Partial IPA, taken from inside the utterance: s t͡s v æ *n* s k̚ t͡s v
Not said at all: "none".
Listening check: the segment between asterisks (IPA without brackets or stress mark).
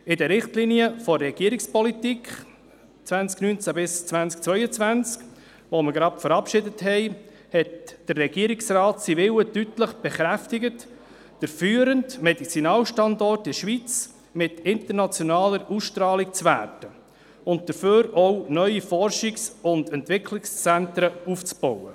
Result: n